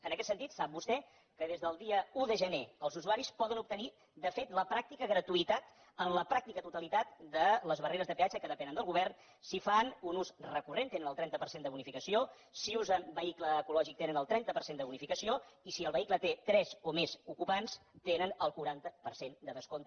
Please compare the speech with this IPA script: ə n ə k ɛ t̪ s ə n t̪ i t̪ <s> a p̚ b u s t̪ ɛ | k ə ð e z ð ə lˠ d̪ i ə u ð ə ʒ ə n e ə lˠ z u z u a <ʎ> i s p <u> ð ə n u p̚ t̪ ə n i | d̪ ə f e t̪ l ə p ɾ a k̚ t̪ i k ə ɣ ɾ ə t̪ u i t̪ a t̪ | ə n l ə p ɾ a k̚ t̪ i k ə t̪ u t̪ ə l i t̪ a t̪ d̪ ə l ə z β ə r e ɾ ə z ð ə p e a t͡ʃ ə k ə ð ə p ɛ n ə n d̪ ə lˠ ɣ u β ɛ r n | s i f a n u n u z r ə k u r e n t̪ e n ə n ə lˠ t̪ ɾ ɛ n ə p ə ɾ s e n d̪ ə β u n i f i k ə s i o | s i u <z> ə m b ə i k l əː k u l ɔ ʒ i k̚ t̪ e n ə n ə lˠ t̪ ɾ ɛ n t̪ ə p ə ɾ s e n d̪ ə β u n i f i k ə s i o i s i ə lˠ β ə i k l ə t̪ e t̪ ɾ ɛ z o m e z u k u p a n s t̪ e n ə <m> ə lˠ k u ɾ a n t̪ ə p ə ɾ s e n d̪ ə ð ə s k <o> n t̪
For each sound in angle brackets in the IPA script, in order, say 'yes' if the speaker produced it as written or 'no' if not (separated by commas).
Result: yes, no, no, yes, no, yes